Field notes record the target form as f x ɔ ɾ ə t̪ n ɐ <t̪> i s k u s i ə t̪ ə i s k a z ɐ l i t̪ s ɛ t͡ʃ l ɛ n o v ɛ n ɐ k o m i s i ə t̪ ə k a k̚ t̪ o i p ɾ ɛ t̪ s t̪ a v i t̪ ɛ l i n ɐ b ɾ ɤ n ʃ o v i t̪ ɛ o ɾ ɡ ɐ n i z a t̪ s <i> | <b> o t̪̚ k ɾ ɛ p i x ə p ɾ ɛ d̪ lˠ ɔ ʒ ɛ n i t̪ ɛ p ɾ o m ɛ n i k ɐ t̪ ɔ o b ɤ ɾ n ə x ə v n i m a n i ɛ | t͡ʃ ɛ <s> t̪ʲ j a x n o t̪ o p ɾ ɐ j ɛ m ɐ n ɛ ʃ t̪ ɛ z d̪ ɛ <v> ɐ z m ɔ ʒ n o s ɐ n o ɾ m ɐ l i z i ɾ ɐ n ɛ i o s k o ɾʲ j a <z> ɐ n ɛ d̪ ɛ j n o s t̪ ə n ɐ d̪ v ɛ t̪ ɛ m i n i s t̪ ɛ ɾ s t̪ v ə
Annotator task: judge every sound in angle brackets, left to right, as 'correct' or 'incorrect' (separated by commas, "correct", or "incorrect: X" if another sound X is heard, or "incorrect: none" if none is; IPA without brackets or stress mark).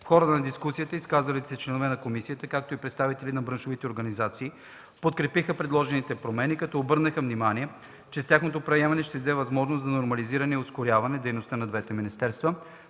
incorrect: d̪, incorrect: iː, incorrect: p, correct, correct, incorrect: v